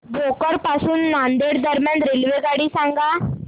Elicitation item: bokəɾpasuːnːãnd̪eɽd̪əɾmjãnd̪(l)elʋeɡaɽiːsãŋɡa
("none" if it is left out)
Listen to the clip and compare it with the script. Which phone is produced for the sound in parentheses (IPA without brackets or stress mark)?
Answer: ɾ